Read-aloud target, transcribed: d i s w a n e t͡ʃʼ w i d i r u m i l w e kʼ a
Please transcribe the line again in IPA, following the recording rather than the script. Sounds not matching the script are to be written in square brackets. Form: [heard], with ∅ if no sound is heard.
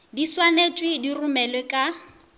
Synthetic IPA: d i s w a n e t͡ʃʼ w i d i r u m [ɛ] l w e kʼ a

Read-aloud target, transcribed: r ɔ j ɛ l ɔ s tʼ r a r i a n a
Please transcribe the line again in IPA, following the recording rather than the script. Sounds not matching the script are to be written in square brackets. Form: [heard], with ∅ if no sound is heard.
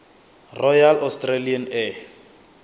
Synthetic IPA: r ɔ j [a] l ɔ s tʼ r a [l] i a n [ɛ]

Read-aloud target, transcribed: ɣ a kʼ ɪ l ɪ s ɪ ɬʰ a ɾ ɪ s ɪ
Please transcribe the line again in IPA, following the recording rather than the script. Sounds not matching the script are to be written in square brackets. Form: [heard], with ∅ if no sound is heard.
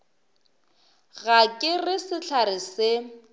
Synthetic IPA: ɣ a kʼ ɪ [r] ɪ s ɪ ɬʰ a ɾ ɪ s ɪ

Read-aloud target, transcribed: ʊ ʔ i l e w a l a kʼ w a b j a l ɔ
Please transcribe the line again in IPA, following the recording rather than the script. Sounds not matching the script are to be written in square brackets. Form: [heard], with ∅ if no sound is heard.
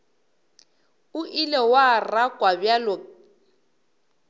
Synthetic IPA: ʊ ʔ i l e w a [r] a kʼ w a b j a l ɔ

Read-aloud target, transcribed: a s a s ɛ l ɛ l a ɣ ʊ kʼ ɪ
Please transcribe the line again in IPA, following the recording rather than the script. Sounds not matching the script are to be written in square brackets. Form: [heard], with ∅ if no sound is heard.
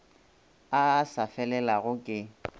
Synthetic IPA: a s a [f] ɛ l ɛ l a ɣ ʊ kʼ ɪ

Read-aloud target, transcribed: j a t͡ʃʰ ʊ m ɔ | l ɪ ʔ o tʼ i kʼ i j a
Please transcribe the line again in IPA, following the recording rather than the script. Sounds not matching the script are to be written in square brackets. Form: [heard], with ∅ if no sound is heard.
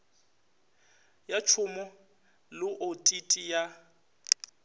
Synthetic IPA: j a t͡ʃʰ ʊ m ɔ | l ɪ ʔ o tʼ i [tʼ] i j a

